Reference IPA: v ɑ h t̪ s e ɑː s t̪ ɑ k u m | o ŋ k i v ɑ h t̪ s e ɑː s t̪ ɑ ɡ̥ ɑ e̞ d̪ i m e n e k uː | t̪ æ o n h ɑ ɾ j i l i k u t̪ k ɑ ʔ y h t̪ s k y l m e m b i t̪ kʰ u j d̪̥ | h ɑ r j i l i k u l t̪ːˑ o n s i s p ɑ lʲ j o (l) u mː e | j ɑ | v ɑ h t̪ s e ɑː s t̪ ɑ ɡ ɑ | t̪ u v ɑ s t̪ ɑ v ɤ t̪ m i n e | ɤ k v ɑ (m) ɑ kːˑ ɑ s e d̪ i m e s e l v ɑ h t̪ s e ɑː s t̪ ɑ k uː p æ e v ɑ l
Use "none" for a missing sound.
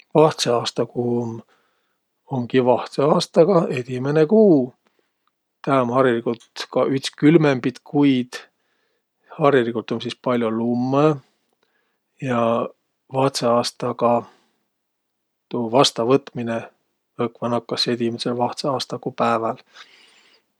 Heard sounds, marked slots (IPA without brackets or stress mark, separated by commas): l, n